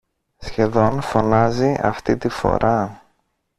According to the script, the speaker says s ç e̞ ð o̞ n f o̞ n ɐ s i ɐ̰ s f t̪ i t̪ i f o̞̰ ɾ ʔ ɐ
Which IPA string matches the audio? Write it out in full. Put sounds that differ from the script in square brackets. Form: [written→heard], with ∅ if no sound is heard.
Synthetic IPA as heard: s ç e̞ ð o̞ n f o̞ n ɐ [s→z] i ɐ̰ [s→∅] f t̪ i t̪ i f o̞̰ ɾ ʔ ɐ